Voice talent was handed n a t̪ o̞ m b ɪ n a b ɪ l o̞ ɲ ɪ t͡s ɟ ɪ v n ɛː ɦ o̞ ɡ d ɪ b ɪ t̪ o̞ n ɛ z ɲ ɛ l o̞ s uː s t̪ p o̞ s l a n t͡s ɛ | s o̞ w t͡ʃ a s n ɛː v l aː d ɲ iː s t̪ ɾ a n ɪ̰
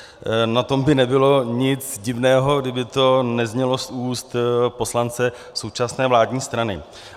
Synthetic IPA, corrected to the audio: n a t̪ o̞ m b ɪ n ɛ b ɪ l o̞ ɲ ɪ t͡s ɟ ɪ v n ɛː ɦ o̞ ɡ d ɪ b ɪ t̪ o̞ n ɛ z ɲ ɛ l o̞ s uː s t̪ p o̞ s l a n t͡s ɛ | s o̞ w t͡ʃ a s n ɛː v l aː d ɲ iː s t̪ ɾ a n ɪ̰